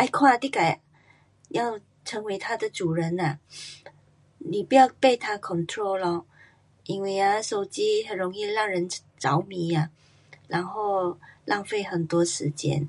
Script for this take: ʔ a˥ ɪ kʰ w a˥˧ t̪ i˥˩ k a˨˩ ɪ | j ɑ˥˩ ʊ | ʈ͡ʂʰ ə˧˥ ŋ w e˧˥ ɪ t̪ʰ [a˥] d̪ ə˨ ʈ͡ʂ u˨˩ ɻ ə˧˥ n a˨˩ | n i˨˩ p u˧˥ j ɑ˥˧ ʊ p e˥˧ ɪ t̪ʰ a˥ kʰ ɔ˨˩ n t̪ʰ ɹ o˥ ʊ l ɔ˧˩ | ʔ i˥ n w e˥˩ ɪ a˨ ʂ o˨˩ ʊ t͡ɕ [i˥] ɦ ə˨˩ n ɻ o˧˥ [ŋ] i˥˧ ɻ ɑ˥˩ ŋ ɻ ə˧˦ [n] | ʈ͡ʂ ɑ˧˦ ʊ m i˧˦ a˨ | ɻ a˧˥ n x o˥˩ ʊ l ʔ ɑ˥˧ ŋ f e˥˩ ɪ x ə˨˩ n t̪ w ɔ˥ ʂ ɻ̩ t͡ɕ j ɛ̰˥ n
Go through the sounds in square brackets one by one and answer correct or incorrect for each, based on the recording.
correct, correct, correct, correct

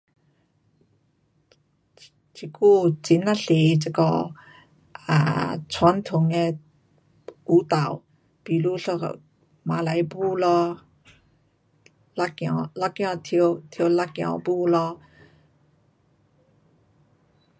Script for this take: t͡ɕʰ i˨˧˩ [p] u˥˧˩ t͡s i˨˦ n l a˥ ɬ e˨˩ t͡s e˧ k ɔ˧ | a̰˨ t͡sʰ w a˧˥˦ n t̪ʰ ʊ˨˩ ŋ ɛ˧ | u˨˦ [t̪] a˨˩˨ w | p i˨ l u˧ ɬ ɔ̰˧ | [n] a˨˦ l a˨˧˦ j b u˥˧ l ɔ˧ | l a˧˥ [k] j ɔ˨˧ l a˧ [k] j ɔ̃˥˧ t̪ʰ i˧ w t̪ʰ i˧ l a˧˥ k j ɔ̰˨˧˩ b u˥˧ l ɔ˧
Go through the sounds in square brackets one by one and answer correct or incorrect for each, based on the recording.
incorrect, correct, incorrect, correct, correct

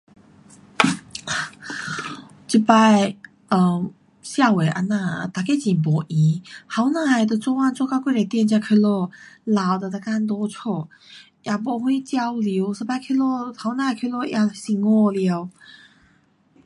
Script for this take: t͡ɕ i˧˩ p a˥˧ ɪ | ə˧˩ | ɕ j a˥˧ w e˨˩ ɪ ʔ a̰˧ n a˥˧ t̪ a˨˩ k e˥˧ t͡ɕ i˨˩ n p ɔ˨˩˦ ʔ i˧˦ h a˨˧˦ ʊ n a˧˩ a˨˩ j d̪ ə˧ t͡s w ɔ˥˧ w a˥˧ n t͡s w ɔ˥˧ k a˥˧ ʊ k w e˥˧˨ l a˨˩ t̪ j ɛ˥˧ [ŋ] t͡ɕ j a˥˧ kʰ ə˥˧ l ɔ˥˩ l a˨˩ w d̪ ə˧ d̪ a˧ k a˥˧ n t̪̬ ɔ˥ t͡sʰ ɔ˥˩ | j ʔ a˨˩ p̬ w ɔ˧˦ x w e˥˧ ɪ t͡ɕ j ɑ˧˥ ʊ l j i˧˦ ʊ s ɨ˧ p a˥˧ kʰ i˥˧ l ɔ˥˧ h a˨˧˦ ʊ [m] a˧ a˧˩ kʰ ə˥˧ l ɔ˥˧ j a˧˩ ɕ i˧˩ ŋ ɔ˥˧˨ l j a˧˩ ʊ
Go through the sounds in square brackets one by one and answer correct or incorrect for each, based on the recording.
incorrect, incorrect

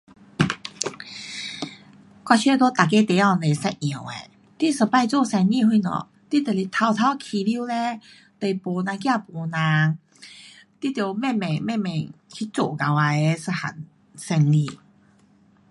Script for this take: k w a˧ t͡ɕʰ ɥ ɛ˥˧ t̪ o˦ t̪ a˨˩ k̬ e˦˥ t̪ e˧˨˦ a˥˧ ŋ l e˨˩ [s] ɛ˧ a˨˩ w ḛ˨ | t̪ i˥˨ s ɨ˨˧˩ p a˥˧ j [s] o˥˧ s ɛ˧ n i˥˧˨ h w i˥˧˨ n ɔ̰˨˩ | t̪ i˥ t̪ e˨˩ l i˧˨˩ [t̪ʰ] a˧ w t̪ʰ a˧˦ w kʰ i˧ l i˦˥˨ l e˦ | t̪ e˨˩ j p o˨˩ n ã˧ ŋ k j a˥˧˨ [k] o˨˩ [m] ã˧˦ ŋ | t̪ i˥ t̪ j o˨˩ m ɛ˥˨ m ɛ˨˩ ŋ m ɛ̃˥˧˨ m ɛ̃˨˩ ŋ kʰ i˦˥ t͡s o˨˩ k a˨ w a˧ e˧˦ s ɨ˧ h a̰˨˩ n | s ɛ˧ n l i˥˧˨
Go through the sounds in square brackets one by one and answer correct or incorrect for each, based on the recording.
correct, incorrect, correct, incorrect, incorrect

